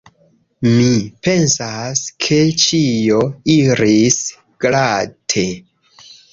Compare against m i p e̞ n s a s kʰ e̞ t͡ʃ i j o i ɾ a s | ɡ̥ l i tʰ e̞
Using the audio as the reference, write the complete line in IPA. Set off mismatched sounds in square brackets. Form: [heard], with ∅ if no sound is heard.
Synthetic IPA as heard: m i p e̞ n s a s kʰ e̞ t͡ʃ i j o i ɾ [i] s | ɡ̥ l [a] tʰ e̞